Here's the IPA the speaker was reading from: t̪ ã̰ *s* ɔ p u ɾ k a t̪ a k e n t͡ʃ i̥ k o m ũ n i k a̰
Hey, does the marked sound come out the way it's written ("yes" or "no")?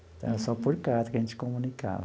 yes